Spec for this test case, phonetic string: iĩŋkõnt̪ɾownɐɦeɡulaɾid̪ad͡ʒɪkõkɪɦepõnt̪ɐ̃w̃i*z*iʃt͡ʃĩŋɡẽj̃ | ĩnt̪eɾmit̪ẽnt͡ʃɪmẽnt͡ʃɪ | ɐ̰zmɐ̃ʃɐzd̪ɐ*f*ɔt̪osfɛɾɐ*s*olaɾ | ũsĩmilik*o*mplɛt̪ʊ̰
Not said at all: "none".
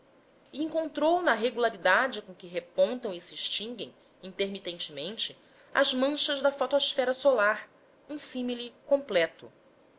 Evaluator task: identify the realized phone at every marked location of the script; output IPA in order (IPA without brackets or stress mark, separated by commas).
s, f, s, õ